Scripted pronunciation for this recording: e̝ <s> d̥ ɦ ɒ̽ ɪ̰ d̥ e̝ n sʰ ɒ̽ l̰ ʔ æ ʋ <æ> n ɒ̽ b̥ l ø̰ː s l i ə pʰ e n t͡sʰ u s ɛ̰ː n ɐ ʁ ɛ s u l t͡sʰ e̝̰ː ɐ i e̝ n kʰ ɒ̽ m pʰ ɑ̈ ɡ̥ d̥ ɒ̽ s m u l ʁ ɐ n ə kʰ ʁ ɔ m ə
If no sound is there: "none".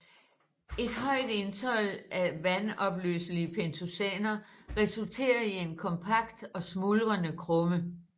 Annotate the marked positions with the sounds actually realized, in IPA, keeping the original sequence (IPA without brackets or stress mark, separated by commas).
none, æ